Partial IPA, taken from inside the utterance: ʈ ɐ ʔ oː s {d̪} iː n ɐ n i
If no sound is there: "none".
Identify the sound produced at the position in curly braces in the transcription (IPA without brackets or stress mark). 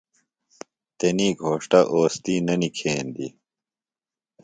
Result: t̪